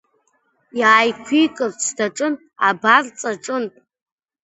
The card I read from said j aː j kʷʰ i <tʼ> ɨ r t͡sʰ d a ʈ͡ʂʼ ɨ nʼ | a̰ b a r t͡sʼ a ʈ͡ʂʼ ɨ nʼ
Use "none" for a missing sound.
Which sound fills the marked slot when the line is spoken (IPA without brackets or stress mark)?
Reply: kʼ